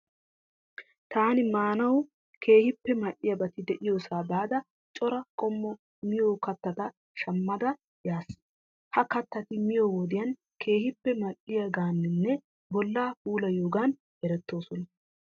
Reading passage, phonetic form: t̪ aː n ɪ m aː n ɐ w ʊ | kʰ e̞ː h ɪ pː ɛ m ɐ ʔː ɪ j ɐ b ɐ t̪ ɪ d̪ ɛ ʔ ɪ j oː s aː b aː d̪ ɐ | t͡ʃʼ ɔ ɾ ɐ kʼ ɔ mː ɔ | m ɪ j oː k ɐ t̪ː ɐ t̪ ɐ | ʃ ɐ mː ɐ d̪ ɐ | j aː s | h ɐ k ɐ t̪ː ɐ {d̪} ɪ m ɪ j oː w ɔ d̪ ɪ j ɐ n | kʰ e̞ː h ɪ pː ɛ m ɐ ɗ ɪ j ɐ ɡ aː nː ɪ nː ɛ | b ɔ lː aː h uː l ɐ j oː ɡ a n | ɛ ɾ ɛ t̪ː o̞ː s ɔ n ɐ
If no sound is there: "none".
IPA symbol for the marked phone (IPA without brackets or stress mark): t̪